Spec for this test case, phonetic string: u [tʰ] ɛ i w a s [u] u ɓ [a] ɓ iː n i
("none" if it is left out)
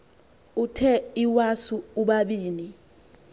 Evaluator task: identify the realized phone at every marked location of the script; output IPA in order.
tʰ, u, a

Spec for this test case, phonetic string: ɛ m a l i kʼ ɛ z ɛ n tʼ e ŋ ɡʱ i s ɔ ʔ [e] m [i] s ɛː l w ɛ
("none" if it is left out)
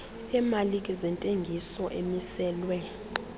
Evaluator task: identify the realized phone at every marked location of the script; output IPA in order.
e, i

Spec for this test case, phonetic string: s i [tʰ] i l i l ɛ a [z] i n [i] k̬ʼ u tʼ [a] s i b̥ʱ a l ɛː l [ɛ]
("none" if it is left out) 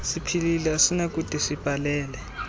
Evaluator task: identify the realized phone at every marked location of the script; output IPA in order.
pʰ, s, a, i, ɛ

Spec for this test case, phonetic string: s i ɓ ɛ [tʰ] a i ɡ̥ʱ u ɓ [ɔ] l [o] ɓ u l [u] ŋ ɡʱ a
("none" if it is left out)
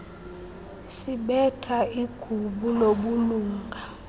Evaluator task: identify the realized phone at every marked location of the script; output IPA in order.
tʰ, u, o, uː

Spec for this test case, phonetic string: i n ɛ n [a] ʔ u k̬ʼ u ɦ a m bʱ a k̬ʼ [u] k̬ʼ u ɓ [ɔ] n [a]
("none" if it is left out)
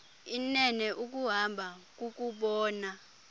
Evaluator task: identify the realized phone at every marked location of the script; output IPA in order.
ɛ, u, ɔː, a

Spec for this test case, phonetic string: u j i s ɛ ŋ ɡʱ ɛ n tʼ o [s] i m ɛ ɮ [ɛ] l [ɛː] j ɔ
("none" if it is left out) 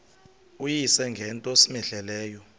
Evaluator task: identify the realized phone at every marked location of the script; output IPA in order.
s, ɛ, ɛː

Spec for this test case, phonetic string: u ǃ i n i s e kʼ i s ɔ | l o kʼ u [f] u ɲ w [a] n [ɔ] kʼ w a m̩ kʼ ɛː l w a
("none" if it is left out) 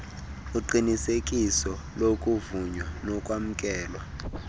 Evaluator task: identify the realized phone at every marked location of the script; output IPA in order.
v, a, ɔ

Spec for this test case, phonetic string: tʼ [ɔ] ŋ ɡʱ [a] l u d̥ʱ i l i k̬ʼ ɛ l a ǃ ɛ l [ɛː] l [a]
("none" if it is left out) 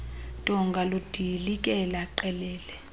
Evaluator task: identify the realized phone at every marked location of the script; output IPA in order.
ɔ, a, ɛː, ɛ

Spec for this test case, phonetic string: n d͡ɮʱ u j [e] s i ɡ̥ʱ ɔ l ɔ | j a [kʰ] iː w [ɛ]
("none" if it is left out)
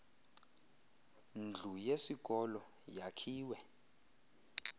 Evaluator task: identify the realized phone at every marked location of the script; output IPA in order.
e, kʰ, ɛ

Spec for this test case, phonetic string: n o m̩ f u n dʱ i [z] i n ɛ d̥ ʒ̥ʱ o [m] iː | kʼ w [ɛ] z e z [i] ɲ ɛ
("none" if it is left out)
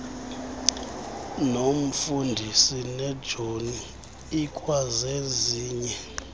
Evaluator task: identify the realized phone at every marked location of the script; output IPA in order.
s, n, a, iː

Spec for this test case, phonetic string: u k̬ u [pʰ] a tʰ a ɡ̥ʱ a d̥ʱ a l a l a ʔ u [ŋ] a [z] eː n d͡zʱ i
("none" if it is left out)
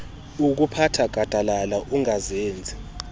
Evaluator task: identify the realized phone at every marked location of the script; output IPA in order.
pʰ, ŋ, z

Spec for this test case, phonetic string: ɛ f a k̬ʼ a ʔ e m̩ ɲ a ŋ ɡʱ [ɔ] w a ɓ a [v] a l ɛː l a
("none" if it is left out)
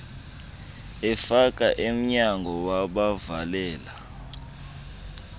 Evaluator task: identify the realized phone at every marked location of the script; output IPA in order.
ɔ, v

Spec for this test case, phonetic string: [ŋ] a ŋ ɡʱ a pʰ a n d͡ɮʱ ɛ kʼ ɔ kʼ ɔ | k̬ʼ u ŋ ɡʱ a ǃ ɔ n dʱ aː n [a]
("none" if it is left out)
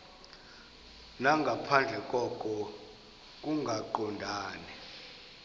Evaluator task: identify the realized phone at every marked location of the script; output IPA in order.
n, ɛ

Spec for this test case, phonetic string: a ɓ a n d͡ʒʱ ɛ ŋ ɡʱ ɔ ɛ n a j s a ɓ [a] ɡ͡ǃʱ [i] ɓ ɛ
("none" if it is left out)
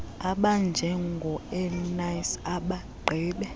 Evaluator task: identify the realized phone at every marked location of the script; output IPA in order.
a, iː

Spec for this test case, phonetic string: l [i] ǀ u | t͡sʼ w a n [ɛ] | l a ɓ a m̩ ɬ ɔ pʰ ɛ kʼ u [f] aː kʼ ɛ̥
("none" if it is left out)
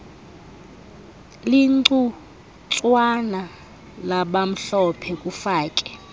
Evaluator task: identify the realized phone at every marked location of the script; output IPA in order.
i, a, f

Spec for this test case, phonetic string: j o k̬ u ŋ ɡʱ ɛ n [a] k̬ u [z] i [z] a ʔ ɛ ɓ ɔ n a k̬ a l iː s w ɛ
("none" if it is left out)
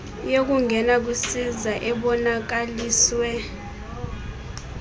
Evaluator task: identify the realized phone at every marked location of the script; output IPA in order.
a, s, z

